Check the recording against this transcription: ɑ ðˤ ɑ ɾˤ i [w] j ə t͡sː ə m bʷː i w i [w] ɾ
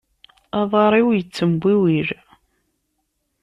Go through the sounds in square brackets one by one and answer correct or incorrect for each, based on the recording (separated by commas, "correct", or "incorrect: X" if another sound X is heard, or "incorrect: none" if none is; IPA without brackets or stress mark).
correct, incorrect: none